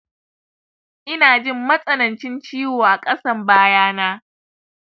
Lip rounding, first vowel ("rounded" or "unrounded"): unrounded